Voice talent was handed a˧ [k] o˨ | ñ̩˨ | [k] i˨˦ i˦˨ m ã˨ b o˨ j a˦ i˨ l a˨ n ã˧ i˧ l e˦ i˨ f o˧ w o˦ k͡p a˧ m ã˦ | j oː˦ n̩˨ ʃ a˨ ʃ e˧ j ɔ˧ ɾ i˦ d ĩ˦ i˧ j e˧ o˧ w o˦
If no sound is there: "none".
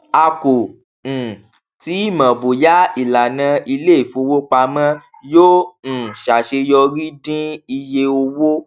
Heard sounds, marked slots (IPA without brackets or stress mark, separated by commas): k, t